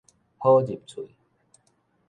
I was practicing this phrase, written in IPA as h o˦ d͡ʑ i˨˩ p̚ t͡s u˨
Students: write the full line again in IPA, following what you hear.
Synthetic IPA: h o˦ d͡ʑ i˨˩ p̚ t͡sʰ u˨